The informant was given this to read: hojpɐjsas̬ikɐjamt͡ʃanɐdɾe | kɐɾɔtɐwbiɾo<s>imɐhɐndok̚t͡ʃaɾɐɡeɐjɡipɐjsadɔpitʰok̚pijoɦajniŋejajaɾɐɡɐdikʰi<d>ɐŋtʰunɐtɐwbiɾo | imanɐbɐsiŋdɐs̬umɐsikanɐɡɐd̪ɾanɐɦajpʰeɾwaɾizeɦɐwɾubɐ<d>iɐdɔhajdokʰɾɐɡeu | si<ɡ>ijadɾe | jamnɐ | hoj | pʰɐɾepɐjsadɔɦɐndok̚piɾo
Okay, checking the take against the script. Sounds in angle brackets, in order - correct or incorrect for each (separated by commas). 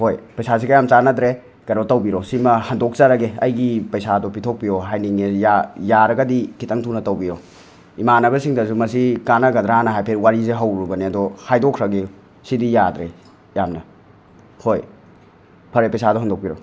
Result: correct, incorrect, incorrect, incorrect